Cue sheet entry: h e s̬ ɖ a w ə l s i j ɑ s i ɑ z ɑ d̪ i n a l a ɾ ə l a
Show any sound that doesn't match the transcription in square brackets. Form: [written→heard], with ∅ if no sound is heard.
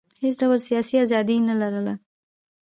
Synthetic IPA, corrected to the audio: h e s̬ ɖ a w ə l s i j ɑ s i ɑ z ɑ d̪ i n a l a ɾ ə l a